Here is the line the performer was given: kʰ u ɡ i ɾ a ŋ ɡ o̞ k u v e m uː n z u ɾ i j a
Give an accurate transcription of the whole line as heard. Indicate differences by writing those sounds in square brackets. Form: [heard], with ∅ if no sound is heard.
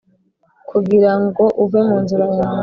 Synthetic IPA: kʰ u ɡ i ɾ a ŋ ɡ o̞ [ʔ] u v e m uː n z u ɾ [a] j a